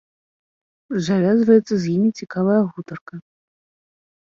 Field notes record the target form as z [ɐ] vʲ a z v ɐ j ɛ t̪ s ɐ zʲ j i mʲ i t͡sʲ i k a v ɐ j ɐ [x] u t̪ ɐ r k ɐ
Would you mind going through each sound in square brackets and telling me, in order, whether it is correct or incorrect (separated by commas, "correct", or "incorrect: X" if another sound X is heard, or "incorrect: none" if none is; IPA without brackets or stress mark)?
incorrect: a, incorrect: ɣ